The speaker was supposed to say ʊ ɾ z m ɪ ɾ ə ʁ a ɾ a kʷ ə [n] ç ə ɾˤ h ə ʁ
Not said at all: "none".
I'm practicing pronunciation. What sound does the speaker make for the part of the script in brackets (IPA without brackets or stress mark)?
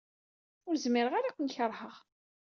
n